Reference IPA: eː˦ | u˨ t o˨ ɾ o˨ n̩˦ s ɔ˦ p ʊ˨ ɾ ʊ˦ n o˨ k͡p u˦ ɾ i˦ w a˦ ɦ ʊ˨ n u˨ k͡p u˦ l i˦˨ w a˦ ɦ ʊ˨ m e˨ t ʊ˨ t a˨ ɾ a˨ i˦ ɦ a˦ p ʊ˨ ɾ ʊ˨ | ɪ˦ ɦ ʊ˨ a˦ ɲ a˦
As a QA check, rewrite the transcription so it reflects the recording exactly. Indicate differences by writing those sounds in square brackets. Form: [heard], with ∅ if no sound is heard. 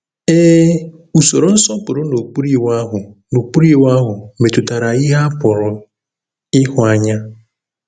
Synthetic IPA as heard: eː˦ | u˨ [s] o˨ ɾ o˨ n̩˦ s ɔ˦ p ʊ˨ ɾ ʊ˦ n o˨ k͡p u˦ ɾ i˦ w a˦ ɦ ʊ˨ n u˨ k͡p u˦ [ɾ] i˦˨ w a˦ ɦ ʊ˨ m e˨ t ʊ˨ t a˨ ɾ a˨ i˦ ɦ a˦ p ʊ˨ ɾ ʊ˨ | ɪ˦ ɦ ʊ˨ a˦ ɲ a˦